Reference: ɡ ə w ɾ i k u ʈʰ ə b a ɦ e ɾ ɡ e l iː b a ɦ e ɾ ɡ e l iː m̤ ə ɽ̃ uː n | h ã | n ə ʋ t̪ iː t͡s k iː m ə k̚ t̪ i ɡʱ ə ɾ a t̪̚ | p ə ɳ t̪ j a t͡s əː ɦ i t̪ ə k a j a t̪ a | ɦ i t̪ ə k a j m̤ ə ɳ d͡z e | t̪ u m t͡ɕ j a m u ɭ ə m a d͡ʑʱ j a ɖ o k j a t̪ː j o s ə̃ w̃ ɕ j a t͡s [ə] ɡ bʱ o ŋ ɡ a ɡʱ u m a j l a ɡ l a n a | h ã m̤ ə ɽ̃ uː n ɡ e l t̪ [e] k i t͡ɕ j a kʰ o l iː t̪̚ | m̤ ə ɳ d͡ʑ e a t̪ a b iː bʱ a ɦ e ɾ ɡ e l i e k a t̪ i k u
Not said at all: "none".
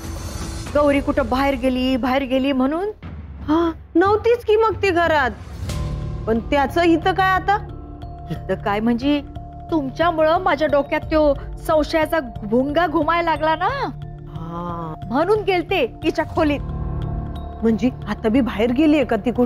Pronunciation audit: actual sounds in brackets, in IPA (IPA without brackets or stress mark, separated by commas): a, e